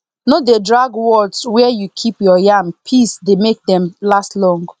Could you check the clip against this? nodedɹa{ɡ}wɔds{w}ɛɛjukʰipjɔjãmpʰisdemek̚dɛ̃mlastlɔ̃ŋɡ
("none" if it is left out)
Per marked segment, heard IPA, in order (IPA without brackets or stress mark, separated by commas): ɡ, w